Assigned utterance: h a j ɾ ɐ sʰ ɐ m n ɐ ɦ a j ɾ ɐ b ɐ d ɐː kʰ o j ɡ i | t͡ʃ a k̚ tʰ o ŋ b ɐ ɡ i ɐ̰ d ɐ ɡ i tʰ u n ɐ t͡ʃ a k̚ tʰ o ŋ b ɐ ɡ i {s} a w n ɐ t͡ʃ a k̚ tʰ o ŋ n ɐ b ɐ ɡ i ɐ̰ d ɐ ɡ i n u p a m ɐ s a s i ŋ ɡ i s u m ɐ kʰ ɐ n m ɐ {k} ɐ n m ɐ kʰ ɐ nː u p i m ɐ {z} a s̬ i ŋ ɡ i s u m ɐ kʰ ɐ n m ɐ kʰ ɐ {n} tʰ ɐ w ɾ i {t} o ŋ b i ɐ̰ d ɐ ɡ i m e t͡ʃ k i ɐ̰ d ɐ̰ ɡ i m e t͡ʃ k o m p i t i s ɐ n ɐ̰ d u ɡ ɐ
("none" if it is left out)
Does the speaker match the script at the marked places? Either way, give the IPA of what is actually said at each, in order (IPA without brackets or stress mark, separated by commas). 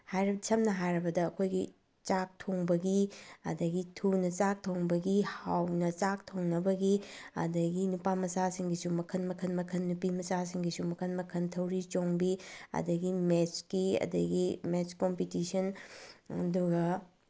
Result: h, kʰ, s, n, t͡ʃ